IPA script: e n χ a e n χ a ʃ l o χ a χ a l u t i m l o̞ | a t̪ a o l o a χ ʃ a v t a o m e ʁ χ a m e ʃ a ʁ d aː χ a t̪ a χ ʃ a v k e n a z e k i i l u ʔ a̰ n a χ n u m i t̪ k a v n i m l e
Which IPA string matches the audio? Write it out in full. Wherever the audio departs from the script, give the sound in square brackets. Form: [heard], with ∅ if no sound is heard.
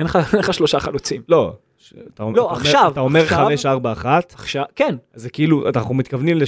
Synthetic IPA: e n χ a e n χ a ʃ l o [ʃ] a χ a l u [t͡s] i m l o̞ | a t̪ a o l o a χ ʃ a v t a o m e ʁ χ a m e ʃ a ʁ [b] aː χ a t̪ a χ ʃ a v k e n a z e k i i l u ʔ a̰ n a χ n u m i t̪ k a v n i m l e